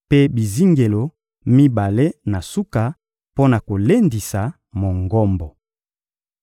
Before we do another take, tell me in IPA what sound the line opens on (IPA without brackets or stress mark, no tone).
p